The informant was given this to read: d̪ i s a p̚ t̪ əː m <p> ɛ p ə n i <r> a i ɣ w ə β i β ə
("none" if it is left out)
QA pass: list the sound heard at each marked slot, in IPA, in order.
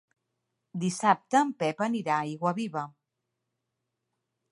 p, ɾ

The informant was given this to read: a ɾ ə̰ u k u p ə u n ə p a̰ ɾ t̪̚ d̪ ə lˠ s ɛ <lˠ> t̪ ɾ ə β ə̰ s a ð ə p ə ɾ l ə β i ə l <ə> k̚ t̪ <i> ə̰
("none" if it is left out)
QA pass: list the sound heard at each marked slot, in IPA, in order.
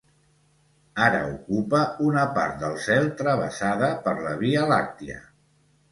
lˠ, a, i

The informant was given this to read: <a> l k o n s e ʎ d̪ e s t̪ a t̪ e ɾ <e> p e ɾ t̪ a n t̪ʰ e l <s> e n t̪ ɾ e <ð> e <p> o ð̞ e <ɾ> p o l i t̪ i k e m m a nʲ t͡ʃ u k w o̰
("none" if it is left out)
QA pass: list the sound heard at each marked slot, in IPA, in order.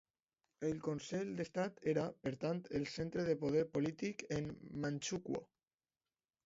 e, a, s, ð, p, ɾ

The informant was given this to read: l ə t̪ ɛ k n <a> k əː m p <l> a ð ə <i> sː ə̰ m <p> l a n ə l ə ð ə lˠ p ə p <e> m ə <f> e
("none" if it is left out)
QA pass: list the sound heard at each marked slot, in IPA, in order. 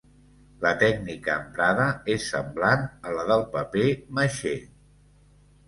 i, ɾ, e, b, e, ʃ

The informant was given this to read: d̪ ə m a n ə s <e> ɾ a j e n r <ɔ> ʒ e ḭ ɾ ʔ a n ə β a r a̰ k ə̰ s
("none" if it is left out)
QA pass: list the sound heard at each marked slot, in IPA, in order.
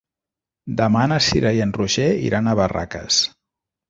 i, u

